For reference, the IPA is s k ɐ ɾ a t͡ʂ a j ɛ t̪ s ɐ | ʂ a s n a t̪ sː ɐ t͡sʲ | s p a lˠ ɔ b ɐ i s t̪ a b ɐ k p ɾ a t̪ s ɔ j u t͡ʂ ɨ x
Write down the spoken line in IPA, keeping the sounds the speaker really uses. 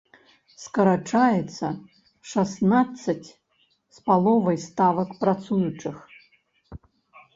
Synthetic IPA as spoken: s k ɐ ɾ a t͡ʂ a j ɛ t̪ s ɐ | ʂ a s n a t̪ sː ɐ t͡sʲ | s p a lˠ ɔ v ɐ j s t̪ a v ɐ k p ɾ a t̪ s u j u t͡ʂ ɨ x